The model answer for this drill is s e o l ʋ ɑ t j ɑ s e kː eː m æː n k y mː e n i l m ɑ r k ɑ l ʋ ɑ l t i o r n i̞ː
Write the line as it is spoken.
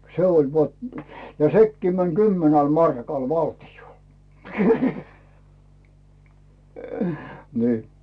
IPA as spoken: s e o l ʋ ɑ t j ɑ s e kː iː m æ n k y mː e n æ l m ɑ r k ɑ l ʋ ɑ l t i o l n i̞ː